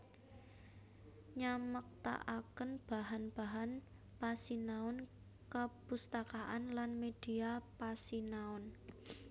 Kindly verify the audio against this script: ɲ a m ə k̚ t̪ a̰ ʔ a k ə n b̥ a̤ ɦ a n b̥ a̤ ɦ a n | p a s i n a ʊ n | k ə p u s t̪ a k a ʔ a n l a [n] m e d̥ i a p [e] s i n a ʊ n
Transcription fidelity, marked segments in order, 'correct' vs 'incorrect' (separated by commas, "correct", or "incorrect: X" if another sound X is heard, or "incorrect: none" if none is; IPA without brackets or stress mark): correct, incorrect: a